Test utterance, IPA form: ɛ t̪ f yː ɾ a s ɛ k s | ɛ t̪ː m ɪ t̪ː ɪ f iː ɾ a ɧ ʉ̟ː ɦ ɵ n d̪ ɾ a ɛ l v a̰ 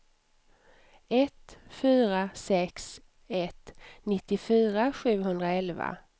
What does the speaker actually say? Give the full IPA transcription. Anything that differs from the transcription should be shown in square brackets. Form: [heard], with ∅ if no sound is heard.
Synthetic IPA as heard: ɛ t̪ f yː ɾ a s ɛ k s | ɛ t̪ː [n] ɪ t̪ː ɪ f [yː] ɾ a ɧ ʉ̟ː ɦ ɵ n d̪ ɾ a ɛ l v a̰

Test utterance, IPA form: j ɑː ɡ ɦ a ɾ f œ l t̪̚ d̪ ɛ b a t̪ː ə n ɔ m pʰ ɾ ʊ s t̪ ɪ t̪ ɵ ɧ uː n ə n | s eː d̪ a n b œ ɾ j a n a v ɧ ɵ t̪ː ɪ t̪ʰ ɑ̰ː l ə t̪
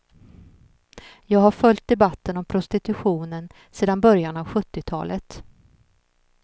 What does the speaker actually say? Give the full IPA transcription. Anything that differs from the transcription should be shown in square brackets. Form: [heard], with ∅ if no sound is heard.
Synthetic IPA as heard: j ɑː ɡ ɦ a ɾ f œ l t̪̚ d̪ ɛ b a t̪ː ə n ɔ m pʰ ɾ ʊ s t̪ ɪ t̪ ɵ ɧ uː n ə n | s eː d̪ a n b œ ɾ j a n a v ɧ ɵ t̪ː ɪ t̪ʰ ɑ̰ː l ə t̪

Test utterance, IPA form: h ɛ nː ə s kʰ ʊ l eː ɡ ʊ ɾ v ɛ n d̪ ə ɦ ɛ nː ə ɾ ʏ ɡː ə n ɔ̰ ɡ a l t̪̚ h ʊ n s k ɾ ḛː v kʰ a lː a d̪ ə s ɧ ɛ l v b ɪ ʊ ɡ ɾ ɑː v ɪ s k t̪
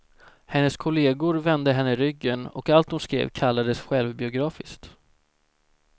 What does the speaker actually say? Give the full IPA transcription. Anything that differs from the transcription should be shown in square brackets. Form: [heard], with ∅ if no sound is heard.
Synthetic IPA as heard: h ɛ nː ə s kʰ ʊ l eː ɡ ʊ ɾ v ɛ n d̪ ə ɦ ɛ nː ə ɾ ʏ ɡː ə n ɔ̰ [k] a l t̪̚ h ʊ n s k ɾ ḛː v kʰ a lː a d̪ ə s ɧ ɛ l v b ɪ ʊ ɡ ɾ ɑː [f] ɪ s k t̪

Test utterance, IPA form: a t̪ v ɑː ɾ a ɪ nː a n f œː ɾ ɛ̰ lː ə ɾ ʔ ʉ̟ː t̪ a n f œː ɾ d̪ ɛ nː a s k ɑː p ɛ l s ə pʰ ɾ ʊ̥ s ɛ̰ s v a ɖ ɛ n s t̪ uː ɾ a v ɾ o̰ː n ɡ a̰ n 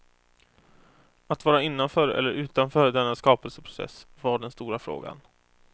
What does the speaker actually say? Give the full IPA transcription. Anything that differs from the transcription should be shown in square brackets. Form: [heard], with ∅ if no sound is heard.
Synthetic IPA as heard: a t̪ v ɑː ɾ a ɪ nː a n f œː ɾ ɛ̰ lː ə ɾ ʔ ʉ̟ː t̪ a n f œː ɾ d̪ ɛ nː a s k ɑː p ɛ l s ə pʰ ɾ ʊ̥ s ɛ̰ s v a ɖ ɛ n s t̪ uː ɾ a [f] ɾ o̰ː [∅] ɡ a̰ n

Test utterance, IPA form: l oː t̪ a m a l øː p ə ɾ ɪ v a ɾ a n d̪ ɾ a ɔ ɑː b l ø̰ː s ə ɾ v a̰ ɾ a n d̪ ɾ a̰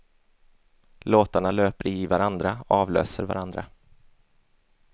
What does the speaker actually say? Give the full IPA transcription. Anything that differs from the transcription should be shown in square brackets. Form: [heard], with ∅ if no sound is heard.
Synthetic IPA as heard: l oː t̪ a [ɳ] a l øː p ə ɾ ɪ v a ɾ a n d̪ ɾ a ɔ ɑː [v] l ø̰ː s ə ɾ v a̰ ɾ a n d̪ ɾ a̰

